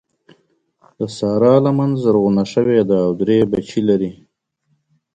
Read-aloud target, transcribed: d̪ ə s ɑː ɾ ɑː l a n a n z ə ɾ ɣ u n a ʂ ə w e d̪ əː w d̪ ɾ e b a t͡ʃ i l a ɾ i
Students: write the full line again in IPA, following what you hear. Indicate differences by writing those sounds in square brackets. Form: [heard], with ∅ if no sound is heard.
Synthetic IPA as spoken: d̪ ə s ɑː ɾ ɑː l a [m] a n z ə ɾ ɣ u n a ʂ ə w e d̪ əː w d̪ ɾ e b a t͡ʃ i l a ɾ i